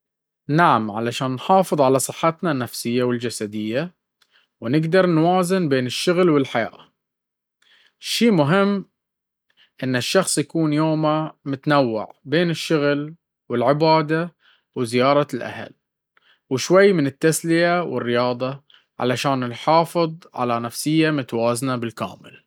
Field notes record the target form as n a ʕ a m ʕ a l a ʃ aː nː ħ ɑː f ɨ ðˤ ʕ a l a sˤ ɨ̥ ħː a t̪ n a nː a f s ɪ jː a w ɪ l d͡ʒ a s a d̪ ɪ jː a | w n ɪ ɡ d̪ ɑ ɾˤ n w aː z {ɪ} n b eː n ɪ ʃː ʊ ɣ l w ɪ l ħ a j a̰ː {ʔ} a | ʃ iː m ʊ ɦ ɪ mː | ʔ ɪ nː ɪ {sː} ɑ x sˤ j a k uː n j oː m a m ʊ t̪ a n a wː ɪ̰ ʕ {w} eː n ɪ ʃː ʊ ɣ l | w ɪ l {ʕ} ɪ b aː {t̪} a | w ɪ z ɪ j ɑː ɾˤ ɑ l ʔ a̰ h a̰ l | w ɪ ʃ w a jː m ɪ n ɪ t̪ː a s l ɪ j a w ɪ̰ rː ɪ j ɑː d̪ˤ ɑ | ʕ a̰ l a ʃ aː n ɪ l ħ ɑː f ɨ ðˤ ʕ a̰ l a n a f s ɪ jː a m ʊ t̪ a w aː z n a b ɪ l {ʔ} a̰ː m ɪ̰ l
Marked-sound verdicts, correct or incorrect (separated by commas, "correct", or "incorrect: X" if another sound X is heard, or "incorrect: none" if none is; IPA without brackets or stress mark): correct, correct, incorrect: ʃː, incorrect: b, correct, incorrect: d̪, incorrect: k